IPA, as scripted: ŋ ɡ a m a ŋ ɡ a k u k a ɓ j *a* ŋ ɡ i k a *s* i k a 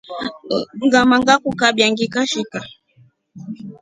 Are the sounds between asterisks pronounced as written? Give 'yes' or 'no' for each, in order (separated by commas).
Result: yes, no